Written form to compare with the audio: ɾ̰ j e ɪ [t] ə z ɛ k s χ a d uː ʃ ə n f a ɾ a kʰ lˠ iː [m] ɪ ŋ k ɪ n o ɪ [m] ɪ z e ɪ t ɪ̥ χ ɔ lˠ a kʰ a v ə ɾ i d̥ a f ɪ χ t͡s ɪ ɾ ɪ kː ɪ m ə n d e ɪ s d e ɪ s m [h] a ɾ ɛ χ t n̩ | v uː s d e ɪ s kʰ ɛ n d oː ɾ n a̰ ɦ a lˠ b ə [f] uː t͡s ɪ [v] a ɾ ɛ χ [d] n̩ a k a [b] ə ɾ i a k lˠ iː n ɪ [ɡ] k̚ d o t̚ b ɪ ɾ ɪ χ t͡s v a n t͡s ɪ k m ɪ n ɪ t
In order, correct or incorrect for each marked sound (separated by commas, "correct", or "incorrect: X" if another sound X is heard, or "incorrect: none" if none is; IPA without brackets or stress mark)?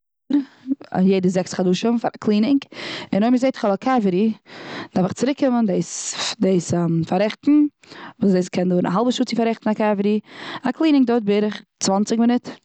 incorrect: d, incorrect: n, correct, incorrect: f, incorrect: ʃ, incorrect: f, incorrect: t, incorrect: v, incorrect: ŋ